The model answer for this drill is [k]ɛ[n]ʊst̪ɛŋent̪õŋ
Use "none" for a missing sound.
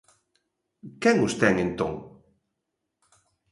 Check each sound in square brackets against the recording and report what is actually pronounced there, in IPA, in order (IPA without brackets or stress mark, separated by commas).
k, ŋ